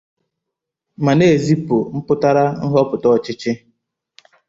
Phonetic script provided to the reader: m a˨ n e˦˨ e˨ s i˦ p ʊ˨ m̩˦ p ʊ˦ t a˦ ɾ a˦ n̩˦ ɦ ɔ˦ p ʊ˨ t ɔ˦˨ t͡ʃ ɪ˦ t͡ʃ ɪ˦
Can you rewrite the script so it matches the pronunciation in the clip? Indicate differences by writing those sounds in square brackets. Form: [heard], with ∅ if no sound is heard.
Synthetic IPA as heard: m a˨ n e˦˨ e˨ [z] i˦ p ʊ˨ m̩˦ p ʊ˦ t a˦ ɾ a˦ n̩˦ ɦ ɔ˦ p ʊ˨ t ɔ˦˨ t͡ʃ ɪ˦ t͡ʃ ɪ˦